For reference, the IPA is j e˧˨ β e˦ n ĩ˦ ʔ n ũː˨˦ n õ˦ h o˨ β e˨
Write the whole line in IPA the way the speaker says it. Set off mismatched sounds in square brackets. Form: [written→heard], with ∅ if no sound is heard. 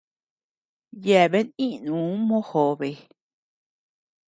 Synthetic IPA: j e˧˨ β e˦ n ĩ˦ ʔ n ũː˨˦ [n→m] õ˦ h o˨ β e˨